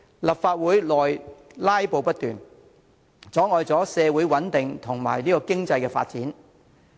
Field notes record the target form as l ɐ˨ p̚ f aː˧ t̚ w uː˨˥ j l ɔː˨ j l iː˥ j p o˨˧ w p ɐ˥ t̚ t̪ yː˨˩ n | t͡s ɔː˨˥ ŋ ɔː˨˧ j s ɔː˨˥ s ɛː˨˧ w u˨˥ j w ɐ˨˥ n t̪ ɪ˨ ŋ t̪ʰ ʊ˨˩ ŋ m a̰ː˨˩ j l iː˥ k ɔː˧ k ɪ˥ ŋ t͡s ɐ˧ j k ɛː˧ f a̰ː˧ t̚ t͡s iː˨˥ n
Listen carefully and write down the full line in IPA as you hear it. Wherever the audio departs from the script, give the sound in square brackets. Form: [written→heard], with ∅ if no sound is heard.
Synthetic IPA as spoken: l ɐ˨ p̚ f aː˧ t̚ w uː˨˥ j l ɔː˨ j l [iː˥→aː˥] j p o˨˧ w p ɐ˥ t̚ t̪ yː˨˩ n | t͡s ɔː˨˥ ŋ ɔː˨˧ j [s→t͡s] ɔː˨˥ s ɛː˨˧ w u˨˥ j w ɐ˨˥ n t̪ ɪ˨ ŋ t̪ʰ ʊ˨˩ ŋ m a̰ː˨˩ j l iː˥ k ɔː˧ k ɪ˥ ŋ t͡s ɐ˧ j k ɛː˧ f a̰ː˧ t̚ t͡s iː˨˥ n